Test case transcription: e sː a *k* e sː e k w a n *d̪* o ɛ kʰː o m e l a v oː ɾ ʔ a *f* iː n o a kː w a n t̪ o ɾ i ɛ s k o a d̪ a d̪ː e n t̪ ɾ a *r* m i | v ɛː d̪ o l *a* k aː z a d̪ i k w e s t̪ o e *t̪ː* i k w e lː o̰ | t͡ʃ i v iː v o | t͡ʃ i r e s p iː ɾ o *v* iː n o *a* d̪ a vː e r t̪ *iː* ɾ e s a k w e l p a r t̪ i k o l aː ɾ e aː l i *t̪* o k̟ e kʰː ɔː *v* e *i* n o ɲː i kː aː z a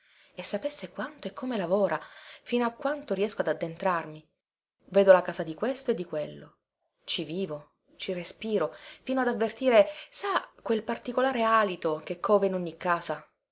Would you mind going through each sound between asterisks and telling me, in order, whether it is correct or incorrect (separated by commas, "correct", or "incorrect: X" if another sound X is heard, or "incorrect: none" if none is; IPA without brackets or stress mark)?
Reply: incorrect: p, incorrect: t̪, correct, correct, correct, incorrect: d̪ː, incorrect: f, correct, correct, correct, correct, correct